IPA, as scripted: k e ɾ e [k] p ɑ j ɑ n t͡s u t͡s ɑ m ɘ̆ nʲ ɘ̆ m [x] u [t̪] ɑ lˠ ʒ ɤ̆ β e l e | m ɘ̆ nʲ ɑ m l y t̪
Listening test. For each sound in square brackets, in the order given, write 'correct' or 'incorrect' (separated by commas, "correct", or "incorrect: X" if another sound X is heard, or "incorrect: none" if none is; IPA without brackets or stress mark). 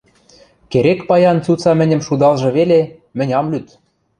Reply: correct, incorrect: ʃ, incorrect: d̪